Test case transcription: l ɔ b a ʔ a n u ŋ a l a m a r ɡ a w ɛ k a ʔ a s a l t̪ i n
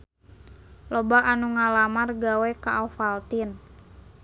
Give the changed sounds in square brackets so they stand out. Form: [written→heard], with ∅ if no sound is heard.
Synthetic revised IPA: l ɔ b a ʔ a n u ŋ a l a m a r ɡ a w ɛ k a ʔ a [s→f] a l t̪ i n